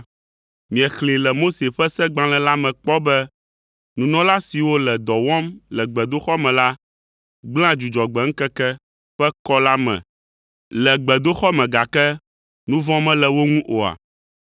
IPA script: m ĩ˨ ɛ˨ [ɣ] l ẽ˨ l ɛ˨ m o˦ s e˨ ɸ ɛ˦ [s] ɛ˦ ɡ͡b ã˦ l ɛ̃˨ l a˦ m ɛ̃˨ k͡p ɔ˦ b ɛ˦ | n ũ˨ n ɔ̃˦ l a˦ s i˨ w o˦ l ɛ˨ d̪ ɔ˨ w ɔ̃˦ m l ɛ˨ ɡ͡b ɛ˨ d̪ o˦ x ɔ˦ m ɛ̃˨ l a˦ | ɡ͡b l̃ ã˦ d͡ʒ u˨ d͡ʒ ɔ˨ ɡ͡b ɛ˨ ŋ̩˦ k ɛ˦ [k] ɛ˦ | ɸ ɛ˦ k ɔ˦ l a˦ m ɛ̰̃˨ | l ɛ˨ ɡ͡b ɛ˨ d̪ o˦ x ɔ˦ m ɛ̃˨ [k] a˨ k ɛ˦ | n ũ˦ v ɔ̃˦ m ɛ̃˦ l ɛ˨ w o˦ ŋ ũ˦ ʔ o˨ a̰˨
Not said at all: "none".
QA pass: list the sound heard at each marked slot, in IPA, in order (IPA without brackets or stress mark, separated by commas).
x, s, k, ɡ